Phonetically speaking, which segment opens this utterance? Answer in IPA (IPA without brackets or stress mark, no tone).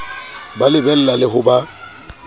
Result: b